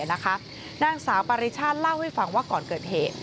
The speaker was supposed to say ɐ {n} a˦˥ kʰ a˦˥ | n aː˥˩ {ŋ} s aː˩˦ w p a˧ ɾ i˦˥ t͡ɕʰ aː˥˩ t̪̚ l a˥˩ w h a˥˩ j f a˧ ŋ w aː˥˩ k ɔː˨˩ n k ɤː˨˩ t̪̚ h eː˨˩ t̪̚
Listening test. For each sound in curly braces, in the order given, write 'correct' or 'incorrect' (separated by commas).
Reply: correct, correct